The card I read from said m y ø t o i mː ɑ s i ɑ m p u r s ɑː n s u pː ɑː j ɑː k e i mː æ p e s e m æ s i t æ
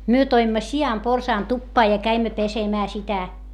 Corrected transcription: m y ø t o i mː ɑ s i ɑ m p o r s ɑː n t u pː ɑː j ɑ k æ i mː æ p e s e m æː s i t æ